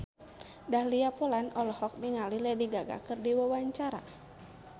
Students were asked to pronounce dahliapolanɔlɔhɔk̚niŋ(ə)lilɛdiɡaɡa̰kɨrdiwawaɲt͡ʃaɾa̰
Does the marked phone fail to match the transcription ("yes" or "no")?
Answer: yes